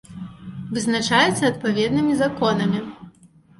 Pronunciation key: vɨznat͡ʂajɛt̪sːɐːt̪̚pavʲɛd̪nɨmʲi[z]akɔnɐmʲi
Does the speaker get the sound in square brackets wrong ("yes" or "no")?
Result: no